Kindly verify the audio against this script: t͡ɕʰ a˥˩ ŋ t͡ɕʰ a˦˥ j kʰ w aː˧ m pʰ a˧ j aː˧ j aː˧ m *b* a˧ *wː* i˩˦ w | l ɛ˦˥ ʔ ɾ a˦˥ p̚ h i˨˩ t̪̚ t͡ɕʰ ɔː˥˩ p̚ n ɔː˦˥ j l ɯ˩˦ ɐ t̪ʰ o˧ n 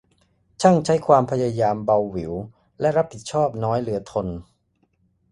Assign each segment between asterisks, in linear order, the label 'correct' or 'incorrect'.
correct, correct

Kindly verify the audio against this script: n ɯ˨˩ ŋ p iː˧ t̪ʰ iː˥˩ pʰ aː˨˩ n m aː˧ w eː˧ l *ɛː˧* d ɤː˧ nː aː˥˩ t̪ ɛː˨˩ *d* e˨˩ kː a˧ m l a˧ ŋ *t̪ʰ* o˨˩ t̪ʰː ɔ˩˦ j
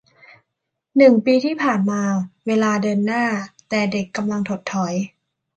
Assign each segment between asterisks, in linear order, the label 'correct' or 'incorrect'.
incorrect: aː˧, correct, correct

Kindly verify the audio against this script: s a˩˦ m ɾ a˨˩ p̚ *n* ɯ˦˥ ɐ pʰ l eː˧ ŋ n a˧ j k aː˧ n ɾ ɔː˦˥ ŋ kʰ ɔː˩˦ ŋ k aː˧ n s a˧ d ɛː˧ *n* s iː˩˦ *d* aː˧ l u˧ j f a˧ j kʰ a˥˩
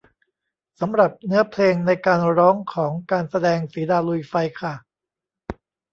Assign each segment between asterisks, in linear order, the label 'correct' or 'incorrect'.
correct, incorrect: ŋ, correct

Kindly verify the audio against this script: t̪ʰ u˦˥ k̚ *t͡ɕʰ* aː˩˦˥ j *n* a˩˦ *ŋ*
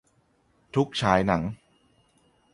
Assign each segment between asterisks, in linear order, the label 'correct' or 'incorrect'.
correct, correct, correct

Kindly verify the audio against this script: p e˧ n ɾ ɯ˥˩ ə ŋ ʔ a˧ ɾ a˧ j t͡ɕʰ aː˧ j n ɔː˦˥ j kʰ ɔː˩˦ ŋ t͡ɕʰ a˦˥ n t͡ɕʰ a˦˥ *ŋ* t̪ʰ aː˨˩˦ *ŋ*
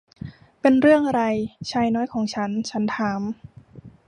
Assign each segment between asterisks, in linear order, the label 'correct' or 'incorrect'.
incorrect: n, incorrect: m

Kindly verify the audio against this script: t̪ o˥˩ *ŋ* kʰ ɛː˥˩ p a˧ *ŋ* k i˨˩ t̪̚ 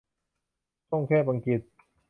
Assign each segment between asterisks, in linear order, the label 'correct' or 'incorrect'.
correct, correct

